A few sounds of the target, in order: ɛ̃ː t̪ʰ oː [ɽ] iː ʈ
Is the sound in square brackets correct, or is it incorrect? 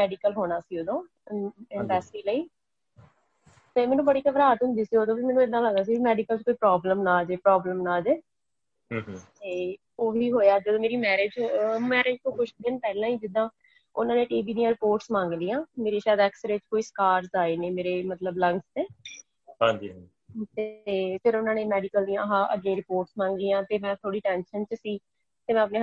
correct